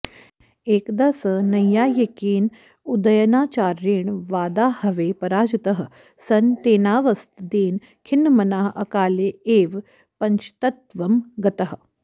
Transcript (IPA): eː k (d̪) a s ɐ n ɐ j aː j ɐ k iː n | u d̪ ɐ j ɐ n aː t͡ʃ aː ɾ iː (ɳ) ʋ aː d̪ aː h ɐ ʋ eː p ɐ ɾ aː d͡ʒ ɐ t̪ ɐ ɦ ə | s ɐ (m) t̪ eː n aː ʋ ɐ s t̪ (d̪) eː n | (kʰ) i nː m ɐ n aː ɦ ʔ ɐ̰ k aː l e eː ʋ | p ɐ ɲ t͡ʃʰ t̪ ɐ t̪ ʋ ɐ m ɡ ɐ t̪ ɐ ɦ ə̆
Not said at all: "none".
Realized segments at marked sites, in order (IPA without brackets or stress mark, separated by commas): d̪, ɳ, n, d̪, kʰ